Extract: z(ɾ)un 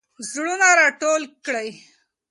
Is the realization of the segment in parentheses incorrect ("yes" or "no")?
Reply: yes